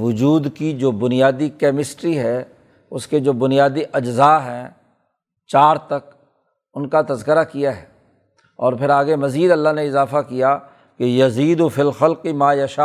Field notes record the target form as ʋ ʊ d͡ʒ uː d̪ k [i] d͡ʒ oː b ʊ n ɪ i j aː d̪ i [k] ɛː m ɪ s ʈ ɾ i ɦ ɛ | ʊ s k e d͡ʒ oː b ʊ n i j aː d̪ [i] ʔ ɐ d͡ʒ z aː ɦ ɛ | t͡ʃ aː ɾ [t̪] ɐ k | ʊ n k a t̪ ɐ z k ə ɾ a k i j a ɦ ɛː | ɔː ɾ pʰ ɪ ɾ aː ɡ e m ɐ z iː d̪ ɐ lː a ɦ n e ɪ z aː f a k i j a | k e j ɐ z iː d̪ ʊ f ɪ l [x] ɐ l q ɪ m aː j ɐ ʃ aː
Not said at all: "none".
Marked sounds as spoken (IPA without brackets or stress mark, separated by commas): i, k, i, t̪, x